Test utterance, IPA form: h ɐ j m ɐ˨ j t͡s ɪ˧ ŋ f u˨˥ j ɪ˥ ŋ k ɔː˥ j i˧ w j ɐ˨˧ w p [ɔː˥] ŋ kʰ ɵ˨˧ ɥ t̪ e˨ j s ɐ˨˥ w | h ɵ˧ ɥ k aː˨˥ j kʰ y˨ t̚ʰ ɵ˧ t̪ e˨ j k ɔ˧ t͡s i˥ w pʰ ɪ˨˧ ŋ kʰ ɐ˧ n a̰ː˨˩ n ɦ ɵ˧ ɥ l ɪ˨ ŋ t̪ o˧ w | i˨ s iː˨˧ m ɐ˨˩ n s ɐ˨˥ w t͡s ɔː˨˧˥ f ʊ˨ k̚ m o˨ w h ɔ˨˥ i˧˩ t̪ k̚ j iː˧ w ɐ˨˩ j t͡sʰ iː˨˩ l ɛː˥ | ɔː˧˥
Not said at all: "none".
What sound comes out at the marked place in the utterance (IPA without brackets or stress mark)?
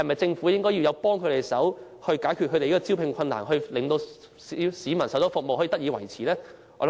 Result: ɔː˥